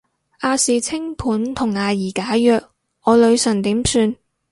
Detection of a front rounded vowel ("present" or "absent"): present